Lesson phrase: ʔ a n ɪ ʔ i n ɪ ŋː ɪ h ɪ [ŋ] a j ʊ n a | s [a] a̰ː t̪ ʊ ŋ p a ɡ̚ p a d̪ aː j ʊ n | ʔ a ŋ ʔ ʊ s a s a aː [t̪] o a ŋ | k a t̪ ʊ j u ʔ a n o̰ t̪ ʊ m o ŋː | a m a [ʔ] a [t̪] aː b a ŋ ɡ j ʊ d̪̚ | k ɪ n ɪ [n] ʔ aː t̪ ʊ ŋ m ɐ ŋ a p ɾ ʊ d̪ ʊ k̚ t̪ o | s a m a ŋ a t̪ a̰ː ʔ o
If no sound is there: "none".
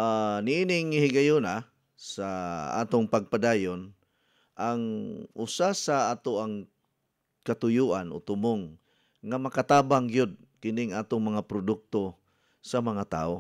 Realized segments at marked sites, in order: ɡ, a, t̪, k, t̪, ŋ

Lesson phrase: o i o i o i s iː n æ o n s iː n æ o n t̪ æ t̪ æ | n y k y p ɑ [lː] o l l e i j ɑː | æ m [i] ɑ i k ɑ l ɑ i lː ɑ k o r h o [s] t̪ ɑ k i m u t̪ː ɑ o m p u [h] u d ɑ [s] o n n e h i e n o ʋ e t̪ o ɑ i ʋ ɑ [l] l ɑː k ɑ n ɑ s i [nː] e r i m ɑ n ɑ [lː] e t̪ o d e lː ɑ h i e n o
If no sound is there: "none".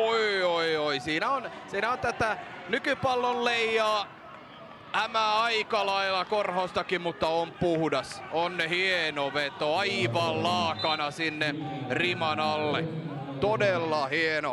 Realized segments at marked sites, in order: lː, æ, s, h, s, l, nː, lː

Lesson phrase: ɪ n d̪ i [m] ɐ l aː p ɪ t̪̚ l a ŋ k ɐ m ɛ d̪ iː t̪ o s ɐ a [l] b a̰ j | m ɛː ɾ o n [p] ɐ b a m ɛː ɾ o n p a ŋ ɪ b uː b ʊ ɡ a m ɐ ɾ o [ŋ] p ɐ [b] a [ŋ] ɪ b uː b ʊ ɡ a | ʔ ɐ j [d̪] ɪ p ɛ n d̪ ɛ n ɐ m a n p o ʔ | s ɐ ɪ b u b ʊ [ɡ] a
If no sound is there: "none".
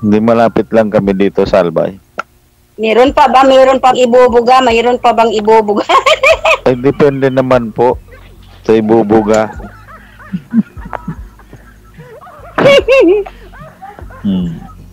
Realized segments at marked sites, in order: m, l, p, n, b, ŋ, d̪, ɡ

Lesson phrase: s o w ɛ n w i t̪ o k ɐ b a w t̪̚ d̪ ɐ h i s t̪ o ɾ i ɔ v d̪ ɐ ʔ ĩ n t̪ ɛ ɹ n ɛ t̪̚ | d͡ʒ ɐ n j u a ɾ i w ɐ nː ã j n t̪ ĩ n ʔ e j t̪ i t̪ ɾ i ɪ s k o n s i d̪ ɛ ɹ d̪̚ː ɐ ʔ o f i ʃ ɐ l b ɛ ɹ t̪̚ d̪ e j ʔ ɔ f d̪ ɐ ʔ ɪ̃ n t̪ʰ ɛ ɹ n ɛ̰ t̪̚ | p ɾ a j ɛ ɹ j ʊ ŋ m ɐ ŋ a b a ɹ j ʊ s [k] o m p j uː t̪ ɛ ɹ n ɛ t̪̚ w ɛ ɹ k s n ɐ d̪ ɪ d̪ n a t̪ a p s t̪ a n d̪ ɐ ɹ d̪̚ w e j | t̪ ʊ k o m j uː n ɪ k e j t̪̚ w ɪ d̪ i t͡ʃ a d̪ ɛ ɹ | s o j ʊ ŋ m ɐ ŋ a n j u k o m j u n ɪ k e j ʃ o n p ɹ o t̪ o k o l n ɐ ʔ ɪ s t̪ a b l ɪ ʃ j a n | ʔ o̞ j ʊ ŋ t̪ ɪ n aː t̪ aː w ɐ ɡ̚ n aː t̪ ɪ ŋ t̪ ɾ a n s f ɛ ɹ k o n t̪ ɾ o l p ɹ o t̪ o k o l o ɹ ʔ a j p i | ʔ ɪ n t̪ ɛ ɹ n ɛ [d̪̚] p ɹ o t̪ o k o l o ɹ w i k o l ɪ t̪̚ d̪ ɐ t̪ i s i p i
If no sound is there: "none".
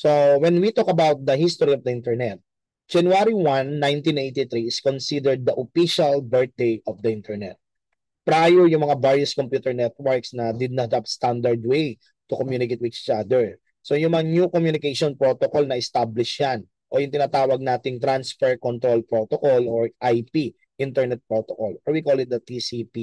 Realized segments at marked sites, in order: k, t̪̚

